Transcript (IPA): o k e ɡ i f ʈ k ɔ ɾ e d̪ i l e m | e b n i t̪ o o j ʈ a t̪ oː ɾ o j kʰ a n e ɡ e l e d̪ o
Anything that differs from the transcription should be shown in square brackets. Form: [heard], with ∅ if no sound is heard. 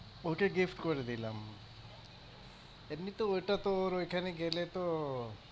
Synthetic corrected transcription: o k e ɡ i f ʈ k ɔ ɾ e d̪ i l [a] m | e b n i t̪ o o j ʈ a t̪ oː ɾ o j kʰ a n e ɡ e l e [t̪] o